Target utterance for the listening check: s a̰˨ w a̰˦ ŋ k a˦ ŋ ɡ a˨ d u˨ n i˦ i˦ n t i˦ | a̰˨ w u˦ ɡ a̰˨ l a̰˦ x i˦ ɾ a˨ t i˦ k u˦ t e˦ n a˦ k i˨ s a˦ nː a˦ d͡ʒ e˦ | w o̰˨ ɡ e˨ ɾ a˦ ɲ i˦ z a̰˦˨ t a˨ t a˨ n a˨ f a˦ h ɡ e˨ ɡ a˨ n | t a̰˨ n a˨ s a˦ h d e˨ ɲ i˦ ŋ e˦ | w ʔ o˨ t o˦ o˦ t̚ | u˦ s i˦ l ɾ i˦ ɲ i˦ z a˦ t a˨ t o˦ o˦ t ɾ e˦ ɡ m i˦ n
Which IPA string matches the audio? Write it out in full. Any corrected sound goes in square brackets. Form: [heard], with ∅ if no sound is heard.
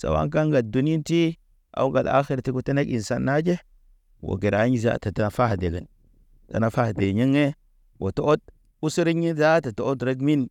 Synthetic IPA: s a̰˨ w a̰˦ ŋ k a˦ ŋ ɡ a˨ d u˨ n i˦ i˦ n t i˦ | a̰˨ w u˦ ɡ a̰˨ l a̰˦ x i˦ ɾ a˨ t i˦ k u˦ t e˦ n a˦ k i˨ s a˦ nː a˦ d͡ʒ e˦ | w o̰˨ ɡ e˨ ɾ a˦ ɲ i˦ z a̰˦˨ t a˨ t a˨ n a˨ f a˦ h [d] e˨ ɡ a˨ n | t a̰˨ n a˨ [f] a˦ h d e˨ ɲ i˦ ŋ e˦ | w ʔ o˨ t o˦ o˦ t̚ | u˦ s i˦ [∅] ɾ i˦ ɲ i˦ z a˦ t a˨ t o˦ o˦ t ɾ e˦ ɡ m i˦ n